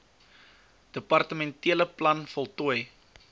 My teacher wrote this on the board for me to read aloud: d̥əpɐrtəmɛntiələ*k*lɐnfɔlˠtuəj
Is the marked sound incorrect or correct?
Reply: incorrect